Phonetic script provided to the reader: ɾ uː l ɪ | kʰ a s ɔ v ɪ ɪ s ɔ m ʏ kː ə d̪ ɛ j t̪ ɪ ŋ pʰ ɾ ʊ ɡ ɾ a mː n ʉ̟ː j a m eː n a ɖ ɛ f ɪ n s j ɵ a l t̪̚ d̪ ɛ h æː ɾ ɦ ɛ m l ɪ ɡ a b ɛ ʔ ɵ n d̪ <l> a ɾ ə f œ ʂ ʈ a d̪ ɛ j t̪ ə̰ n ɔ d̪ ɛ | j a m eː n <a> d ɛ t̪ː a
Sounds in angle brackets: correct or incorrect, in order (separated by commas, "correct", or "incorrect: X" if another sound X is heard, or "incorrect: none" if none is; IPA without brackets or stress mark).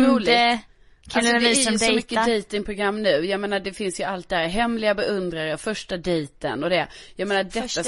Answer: incorrect: ɾ, correct